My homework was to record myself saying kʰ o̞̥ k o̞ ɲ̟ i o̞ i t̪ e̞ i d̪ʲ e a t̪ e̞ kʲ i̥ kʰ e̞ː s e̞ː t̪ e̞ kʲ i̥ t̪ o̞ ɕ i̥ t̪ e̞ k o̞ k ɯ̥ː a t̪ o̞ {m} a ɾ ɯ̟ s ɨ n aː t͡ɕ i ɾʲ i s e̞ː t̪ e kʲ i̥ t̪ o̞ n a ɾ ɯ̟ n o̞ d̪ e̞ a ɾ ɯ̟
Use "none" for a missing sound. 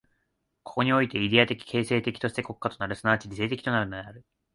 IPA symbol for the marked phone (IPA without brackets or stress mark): n